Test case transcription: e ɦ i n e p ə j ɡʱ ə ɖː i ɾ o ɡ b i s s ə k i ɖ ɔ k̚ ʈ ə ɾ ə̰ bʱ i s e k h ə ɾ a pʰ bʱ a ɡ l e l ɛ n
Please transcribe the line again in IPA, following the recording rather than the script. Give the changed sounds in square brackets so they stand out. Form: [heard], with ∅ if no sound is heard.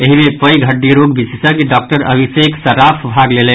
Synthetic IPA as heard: e ɦ i [m] e p ə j ɡʱ ə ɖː i ɾ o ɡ b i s s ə k i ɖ ɔ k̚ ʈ ə ɾ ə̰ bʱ i s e k [s] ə ɾ a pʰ bʱ a ɡ l e l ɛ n